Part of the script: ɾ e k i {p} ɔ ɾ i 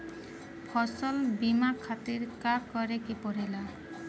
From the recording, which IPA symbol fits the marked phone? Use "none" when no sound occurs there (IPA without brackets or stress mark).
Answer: p